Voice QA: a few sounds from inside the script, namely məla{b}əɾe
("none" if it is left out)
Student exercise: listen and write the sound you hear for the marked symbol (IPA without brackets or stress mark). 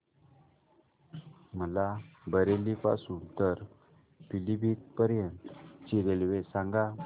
b